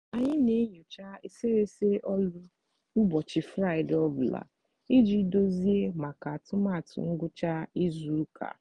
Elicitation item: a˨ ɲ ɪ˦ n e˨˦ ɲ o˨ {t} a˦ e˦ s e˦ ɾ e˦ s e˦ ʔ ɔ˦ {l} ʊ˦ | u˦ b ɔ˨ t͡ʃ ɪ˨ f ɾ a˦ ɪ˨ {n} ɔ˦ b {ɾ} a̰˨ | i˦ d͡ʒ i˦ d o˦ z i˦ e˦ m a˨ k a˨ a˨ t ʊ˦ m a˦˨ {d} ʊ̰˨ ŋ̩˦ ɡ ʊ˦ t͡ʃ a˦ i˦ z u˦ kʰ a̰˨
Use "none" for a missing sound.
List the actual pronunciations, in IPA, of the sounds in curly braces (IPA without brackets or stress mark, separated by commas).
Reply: t͡ʃ, l, d, l, t